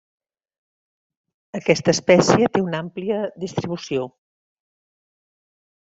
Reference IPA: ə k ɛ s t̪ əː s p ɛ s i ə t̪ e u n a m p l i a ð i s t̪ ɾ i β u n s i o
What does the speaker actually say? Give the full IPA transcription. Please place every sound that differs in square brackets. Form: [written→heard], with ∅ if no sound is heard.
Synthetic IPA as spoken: ə k ɛ s t̪ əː s p ɛ s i ə t̪ e u n a m p l i [a→ə] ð i s t̪ ɾ i β u [n→∅] s i o

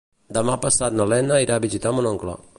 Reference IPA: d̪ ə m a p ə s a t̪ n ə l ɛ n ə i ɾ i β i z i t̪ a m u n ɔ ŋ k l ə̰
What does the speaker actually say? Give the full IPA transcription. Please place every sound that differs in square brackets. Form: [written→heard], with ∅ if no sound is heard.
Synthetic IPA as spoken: d̪ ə m a p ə s a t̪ n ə l ɛ n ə i ɾ [i→a] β i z i t̪ a m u n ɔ ŋ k l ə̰

